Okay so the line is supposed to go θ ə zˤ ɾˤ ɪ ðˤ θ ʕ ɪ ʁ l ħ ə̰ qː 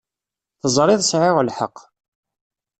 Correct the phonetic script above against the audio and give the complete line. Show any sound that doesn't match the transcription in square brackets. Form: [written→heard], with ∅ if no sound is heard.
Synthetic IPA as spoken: θ ə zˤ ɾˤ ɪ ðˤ [θ→s] ʕ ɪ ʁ l ħ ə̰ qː